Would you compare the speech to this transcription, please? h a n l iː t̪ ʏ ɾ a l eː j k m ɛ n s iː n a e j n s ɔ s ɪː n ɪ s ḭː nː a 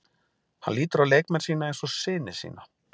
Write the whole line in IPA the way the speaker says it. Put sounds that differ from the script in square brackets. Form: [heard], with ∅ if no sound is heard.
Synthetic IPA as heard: h a n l iː t̪ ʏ ɾ a l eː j k m ɛ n s iː n a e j n s ɔ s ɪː n ɪ s ḭː [n] a